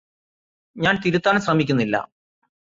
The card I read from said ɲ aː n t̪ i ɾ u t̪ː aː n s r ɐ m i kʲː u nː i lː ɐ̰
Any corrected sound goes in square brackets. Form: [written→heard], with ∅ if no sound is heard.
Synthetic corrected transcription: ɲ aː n t̪ i ɾ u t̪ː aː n s r ɐ m i kʲː u nː i lː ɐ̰

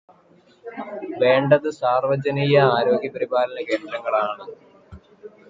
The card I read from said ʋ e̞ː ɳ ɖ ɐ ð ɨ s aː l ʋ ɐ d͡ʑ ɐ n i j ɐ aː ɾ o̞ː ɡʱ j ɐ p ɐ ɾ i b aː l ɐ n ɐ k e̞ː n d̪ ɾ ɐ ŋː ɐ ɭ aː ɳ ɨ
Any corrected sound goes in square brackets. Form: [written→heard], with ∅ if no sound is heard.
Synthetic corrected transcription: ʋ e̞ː ɳ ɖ ɐ ð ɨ s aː [l→r] ʋ ɐ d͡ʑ ɐ n i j ɐ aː ɾ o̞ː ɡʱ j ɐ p ɐ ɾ i b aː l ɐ n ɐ k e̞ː n d̪ ɾ ɐ ŋː ɐ ɭ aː ɳ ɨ

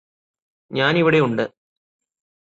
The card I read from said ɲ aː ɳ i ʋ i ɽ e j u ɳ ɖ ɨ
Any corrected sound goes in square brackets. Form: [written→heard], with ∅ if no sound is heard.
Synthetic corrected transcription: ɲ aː [ɳ→n] i ʋ i ɽ e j u ɳ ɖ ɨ

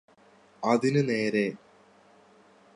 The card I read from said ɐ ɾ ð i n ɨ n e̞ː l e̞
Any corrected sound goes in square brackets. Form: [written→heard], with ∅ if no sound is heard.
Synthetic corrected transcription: ɐ [ɾ→∅] ð i n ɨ n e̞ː [l→ɾ] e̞

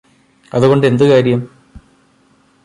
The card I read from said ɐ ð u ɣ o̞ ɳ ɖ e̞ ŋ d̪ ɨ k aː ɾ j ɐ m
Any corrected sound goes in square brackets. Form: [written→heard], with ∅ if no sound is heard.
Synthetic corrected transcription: ɐ ð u ɣ o̞ ɳ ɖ e̞ [ŋ→n] d̪ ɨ k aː ɾ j ɐ m

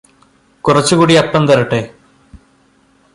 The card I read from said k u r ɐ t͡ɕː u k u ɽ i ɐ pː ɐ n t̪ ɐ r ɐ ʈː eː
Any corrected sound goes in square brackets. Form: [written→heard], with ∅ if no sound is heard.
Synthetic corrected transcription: k u r ɐ t͡ɕː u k [u→uː] ɽ i ɐ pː ɐ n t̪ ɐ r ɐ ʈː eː

